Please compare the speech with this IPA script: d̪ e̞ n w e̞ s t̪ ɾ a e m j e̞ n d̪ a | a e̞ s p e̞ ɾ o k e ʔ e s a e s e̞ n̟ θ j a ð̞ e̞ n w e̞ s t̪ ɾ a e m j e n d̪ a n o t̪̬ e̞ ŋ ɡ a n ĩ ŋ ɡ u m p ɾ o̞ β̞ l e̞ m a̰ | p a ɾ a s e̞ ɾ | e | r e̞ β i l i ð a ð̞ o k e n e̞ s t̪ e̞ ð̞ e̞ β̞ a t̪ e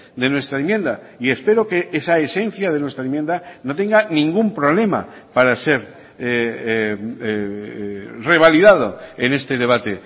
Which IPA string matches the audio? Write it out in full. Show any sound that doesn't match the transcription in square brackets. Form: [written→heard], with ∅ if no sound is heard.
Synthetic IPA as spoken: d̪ e̞ n w e̞ s t̪ ɾ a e m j e̞ n d̪ a | [a→i] e̞ s p e̞ ɾ o k e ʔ e s a e s e̞ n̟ θ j a ð̞ e̞ n w e̞ s t̪ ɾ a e m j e n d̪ a n o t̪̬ e̞ ŋ ɡ a n ĩ ŋ ɡ u m p ɾ o̞ β̞ l e̞ m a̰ | p a ɾ a s e̞ ɾ | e | r e̞ β [i→a] l i ð a ð̞ o [k→∅] e n e̞ s t̪ e̞ ð̞ e̞ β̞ a t̪ e